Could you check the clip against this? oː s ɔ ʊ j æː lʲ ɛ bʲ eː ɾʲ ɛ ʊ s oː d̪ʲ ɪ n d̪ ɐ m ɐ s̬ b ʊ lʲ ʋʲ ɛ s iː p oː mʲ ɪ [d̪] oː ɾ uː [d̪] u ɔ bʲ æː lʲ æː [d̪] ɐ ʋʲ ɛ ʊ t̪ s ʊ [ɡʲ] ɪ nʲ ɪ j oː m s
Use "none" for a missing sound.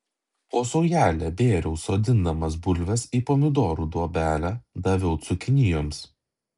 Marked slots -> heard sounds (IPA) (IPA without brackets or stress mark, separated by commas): d̪, d̪, d̪, kʲ